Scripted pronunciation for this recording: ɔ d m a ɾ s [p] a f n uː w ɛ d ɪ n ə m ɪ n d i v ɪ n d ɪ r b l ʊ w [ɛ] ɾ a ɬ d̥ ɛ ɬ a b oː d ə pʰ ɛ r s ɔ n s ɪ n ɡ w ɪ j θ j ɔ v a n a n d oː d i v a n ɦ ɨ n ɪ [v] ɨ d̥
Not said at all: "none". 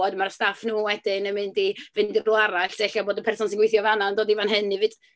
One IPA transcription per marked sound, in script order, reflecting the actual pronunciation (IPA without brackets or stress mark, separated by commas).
t, a, v